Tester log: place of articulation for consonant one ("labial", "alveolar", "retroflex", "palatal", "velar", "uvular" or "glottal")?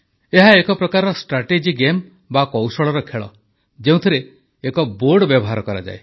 glottal